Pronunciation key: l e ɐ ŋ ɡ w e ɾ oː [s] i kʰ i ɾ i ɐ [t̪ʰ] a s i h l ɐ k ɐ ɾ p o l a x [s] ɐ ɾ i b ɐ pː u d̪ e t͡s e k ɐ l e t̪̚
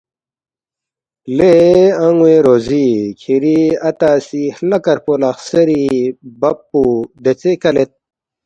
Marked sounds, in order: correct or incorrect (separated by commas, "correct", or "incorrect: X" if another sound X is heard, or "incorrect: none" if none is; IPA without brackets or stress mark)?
incorrect: z, incorrect: t̪, correct